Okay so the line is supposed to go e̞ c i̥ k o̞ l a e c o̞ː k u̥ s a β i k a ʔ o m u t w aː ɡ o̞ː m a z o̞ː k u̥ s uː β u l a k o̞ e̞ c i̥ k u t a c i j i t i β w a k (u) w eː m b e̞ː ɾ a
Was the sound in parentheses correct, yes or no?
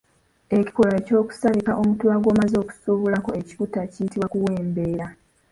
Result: yes